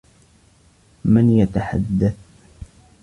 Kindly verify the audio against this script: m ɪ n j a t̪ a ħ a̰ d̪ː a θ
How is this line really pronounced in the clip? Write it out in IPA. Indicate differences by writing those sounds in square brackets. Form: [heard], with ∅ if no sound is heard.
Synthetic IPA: m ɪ n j a t̪ a ħ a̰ d̪ː a θ